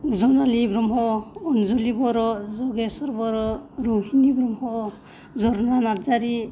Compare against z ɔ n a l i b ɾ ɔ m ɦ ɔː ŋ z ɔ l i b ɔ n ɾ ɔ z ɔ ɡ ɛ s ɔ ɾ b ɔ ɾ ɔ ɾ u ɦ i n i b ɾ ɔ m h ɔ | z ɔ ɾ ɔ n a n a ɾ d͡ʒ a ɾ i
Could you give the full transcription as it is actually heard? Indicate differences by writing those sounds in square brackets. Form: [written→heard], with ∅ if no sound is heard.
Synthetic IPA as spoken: z ɔ n a l i b ɾ ɔ m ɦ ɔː [ŋ→n] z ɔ l i b ɔ [n→∅] ɾ ɔ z ɔ ɡ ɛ s ɔ ɾ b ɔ ɾ ɔ ɾ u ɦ i n i b ɾ ɔ m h ɔ | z ɔ ɾ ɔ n a n a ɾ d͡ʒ a ɾ i